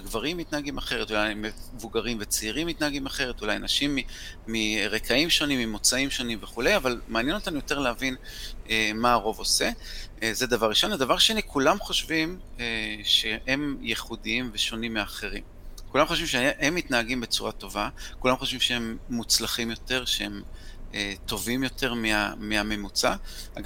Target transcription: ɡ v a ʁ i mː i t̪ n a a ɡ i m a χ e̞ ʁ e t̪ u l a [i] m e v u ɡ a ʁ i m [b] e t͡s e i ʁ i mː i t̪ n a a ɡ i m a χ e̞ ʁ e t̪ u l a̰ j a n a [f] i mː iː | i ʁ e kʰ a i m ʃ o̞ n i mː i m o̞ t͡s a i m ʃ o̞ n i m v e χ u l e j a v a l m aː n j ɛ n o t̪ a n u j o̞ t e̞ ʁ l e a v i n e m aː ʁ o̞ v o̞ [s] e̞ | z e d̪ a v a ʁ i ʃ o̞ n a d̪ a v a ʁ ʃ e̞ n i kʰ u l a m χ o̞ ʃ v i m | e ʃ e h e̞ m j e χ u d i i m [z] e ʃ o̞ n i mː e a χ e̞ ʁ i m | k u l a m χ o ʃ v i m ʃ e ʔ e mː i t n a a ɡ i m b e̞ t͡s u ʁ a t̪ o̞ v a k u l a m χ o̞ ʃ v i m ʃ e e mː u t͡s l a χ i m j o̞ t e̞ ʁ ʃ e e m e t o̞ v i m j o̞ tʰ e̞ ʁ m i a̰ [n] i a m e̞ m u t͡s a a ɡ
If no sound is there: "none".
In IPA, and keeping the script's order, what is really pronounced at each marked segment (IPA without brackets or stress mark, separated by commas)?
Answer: j, v, ʃ, s, v, m